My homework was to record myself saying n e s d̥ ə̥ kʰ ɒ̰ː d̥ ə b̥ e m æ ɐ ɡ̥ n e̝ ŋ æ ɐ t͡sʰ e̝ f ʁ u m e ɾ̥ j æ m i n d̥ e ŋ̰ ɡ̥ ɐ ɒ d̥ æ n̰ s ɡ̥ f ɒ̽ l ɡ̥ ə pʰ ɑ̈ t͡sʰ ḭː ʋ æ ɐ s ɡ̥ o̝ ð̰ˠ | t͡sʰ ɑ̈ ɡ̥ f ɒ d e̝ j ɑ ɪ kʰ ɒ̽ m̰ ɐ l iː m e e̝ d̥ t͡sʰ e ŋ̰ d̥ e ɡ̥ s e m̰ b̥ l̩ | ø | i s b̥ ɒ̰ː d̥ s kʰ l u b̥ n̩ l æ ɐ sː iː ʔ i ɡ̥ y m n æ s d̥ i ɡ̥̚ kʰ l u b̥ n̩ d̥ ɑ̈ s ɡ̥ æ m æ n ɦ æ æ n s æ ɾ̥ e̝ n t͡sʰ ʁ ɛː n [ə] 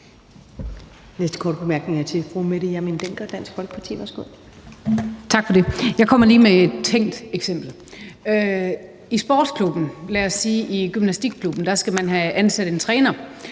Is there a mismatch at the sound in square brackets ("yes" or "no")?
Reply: yes